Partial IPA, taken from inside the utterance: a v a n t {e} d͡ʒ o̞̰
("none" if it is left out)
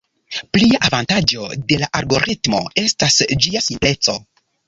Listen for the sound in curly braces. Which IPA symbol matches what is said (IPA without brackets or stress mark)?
a